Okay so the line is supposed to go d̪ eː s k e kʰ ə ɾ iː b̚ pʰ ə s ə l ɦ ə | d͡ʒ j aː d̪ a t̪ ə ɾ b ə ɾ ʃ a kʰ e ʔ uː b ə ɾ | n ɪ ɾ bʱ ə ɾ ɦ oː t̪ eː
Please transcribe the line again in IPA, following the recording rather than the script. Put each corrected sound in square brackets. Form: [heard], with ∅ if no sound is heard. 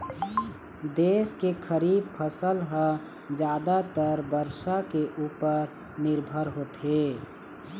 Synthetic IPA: d̪ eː s k e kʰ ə ɾ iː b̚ pʰ ə s ə l ɦ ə | d͡ʒ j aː d̪ a t̪ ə ɾ b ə ɾ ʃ a [k] e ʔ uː [p] ə ɾ | n ɪ ɾ bʱ ə ɾ ɦ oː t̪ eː